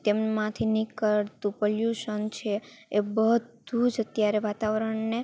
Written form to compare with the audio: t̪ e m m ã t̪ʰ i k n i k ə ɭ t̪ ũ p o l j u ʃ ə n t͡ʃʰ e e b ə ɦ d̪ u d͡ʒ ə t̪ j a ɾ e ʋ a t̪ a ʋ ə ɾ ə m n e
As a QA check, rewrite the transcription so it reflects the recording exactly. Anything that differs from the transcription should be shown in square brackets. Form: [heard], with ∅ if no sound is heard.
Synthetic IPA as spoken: t̪ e m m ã t̪ʰ i [∅] n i k ə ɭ t̪ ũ p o l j u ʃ ə n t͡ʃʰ e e b ə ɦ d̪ u d͡ʒ ə t̪ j a ɾ e ʋ a t̪ a ʋ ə ɾ ə [ɳ] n e